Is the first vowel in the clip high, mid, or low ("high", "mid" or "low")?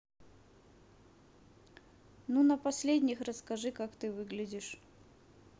high